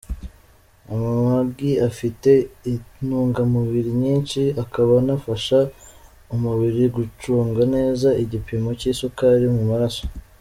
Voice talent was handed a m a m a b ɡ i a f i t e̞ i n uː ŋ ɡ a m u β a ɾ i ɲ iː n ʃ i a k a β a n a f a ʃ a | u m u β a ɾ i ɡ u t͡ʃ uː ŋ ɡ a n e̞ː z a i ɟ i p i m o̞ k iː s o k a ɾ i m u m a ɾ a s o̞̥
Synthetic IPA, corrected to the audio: a m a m a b ɡ i a f i t e̞ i n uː ŋ ɡ a m u β i ɾ i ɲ iː n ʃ i a k a β a n a f a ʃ a | u m u β i ɾ i ɡ u t͡ʃ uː ŋ ɡ a n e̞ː z a i ɟ i p i m o̞ c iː s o k a ɾ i m u m a ɾ a s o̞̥